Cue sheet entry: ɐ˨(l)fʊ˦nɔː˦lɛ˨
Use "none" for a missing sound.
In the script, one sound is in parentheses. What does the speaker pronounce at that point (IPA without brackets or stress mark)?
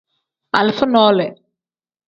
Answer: l